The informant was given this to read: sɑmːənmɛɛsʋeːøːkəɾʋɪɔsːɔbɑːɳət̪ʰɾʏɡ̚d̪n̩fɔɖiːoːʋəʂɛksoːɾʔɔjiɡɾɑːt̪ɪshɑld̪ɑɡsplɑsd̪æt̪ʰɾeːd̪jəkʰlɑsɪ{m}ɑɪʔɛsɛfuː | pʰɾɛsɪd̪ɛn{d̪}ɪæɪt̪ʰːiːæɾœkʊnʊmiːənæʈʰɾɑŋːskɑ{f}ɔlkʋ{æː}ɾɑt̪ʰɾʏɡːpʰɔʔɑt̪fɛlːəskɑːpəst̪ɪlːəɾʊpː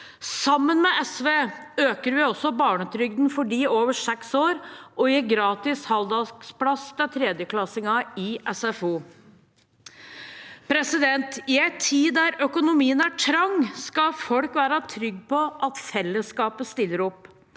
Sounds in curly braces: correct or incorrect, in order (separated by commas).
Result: incorrect, incorrect, correct, correct